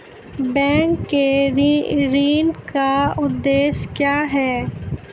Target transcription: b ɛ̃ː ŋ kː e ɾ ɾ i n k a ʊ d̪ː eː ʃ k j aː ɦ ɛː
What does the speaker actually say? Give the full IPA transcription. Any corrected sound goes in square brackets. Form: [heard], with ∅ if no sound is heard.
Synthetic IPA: b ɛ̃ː ŋ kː e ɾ ɾ [iː] n k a ʊ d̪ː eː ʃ k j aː ɦ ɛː